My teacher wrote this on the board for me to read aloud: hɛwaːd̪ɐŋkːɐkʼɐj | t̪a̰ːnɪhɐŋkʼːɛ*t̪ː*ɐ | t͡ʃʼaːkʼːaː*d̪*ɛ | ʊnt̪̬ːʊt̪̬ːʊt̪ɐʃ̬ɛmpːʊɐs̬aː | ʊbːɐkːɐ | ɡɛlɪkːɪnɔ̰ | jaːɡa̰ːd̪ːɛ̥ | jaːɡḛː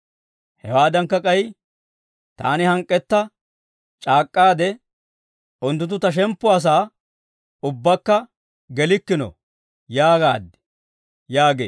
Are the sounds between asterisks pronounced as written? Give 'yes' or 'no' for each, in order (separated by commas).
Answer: yes, yes